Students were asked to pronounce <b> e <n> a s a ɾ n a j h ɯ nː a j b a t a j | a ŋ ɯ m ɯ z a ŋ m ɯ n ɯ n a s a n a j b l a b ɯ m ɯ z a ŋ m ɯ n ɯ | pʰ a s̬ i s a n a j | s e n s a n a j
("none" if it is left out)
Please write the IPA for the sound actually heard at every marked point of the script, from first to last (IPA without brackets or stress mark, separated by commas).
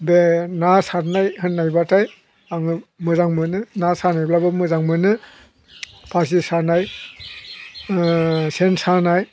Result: b, n